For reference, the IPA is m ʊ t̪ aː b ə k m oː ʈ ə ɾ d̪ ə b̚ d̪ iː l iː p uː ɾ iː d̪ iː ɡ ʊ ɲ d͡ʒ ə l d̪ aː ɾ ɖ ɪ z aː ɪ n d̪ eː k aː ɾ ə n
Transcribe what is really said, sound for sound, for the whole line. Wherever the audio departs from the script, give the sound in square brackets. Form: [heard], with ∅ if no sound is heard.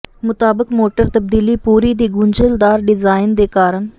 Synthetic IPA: m ʊ t̪ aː b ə k m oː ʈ ə ɾ [t̪] ə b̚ d̪ iː l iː p uː ɾ iː d̪ iː ɡ ʊ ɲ d͡ʒ ə l d̪ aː ɾ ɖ ɪ z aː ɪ n d̪ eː k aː ɾ ə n